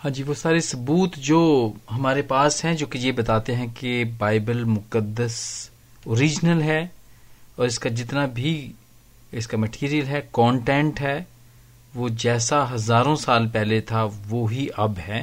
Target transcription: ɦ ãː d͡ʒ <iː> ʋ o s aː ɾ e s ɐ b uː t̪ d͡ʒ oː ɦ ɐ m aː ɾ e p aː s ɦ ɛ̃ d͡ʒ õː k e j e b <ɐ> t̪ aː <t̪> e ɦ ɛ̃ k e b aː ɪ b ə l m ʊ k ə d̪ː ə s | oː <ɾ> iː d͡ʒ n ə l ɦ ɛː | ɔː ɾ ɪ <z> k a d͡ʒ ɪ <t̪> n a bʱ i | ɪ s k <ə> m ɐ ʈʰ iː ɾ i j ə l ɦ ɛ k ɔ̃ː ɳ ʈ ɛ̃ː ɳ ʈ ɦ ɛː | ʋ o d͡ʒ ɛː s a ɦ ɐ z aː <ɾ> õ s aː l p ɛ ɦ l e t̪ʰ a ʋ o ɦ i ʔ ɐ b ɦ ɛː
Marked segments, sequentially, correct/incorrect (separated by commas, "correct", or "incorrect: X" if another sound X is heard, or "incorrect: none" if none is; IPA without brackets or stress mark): correct, correct, correct, correct, incorrect: s, correct, incorrect: a, correct